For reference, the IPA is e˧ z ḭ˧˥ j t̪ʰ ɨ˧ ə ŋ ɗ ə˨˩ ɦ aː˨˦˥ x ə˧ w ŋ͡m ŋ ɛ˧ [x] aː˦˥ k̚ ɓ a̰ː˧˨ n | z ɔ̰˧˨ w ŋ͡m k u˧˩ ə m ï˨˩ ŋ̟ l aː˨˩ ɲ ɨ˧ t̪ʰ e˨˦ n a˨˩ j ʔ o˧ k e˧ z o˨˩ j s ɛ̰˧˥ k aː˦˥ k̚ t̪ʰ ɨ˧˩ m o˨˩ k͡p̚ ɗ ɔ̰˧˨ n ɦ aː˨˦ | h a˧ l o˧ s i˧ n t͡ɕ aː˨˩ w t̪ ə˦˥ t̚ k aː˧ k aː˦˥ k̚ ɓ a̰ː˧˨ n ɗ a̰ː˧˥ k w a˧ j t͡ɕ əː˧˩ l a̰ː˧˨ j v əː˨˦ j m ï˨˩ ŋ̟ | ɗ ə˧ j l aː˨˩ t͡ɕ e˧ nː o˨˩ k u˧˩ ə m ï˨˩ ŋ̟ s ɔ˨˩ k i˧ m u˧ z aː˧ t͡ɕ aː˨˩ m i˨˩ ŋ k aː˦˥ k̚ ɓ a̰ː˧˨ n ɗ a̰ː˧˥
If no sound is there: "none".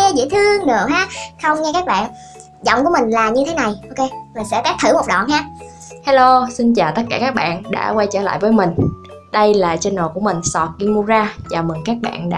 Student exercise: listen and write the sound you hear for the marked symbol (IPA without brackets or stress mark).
k